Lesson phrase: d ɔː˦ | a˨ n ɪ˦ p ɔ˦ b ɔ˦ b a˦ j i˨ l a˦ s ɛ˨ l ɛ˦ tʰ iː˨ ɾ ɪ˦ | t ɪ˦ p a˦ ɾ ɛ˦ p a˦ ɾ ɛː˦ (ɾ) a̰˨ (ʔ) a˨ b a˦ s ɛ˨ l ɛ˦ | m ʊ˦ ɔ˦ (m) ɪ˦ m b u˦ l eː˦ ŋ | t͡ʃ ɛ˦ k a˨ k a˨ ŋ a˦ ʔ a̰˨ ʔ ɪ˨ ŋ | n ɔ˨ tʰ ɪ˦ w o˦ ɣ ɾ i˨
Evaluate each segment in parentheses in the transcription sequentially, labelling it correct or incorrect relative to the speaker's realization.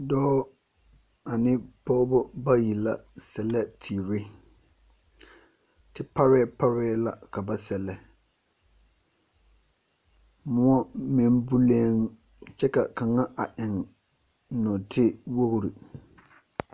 incorrect: l, incorrect: k, correct

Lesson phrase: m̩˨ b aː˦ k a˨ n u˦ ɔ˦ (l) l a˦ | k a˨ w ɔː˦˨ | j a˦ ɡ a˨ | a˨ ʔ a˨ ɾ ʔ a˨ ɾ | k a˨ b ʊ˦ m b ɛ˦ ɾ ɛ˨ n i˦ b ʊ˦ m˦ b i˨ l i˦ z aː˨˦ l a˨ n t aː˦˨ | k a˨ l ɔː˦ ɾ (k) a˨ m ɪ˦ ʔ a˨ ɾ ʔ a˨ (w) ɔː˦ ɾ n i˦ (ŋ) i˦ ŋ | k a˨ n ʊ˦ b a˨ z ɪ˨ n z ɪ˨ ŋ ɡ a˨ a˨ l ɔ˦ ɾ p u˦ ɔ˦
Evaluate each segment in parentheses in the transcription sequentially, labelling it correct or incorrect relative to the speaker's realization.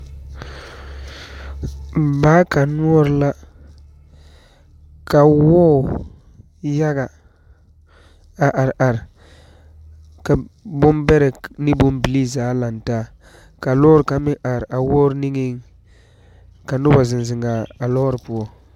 incorrect: ɾ, correct, correct, correct

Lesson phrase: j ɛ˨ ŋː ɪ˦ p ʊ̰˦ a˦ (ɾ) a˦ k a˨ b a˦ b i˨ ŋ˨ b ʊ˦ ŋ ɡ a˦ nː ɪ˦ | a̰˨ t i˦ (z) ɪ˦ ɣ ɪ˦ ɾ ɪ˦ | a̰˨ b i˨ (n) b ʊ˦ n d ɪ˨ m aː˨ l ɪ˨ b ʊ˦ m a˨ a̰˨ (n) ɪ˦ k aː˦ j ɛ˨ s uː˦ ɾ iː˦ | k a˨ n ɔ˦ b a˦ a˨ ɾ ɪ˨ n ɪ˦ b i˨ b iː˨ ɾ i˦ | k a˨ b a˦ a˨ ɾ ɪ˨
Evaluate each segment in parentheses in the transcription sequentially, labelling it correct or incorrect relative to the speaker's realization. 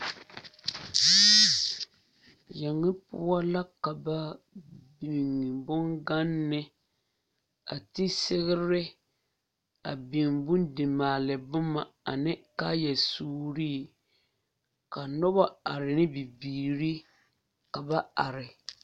incorrect: l, incorrect: s, incorrect: ŋ, correct

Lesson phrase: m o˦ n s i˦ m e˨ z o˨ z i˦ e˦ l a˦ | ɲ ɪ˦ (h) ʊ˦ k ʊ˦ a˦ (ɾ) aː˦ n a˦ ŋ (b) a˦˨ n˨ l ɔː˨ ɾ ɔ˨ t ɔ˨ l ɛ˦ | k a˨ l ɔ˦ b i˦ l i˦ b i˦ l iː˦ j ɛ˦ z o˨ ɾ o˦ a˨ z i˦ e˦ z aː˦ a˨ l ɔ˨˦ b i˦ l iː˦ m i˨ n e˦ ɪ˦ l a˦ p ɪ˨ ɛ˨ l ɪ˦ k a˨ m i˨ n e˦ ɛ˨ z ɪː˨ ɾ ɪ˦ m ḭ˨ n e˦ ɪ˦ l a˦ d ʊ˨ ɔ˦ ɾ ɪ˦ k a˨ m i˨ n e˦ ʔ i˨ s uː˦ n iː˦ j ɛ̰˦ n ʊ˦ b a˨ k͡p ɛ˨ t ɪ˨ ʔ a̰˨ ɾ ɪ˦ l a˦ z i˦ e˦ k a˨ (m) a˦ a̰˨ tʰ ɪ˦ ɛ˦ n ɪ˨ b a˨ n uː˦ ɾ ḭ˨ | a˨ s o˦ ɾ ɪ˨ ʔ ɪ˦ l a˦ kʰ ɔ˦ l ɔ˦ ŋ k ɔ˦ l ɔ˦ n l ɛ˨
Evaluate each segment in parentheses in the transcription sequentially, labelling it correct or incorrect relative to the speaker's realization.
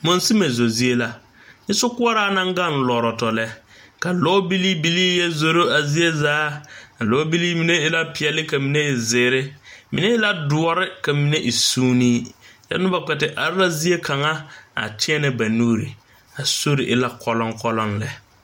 incorrect: s, correct, incorrect: ɡ, incorrect: ŋ

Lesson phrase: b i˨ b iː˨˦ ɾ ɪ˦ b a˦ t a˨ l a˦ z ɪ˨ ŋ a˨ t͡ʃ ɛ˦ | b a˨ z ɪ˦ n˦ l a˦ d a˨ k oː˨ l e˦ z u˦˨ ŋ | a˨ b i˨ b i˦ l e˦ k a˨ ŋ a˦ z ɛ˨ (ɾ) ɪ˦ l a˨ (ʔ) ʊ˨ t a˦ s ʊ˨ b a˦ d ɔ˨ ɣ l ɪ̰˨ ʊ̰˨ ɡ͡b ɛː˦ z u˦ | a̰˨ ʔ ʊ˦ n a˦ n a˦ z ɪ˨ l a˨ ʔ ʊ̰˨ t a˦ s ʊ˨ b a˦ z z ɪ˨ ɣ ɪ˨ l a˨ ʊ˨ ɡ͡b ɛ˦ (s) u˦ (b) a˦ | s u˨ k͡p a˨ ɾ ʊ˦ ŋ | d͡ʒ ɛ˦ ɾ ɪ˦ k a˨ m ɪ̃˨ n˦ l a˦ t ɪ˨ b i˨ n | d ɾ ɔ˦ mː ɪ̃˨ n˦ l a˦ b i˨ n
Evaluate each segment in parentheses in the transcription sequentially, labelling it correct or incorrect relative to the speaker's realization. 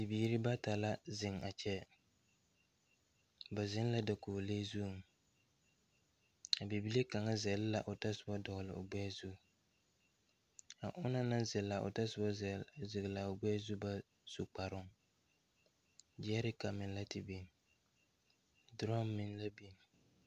incorrect: l, correct, incorrect: z, correct

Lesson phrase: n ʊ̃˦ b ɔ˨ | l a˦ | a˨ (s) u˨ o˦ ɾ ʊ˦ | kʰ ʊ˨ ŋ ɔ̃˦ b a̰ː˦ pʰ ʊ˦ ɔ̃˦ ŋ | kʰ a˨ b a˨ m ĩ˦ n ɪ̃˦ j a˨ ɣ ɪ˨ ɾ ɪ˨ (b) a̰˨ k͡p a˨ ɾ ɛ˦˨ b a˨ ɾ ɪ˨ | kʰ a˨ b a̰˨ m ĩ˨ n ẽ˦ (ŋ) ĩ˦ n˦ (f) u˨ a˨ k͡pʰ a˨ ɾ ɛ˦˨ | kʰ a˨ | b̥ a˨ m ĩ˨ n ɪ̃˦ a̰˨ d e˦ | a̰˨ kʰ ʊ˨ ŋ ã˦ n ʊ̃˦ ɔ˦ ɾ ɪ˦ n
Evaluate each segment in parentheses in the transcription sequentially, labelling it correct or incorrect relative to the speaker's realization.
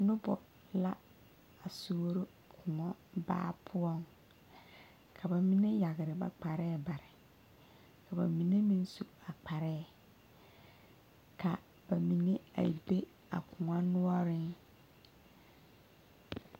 correct, correct, incorrect: m, incorrect: s

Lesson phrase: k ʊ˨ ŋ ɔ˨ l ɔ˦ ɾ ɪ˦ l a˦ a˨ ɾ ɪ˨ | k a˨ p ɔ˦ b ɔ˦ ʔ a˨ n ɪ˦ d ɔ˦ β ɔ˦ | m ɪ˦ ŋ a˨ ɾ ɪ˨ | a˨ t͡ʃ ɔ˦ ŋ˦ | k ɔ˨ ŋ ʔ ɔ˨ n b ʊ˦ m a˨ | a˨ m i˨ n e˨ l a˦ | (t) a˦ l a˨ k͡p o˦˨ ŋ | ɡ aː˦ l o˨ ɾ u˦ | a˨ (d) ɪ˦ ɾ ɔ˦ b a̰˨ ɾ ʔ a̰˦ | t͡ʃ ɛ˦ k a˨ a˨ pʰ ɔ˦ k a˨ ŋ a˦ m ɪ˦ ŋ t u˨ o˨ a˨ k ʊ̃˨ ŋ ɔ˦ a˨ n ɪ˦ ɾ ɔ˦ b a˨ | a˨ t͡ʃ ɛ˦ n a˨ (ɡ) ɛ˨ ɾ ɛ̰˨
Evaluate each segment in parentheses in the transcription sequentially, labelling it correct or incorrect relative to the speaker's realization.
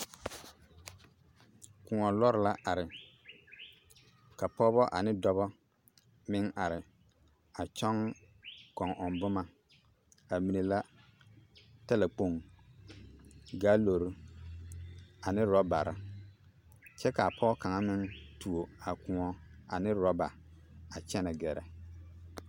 correct, incorrect: n, correct

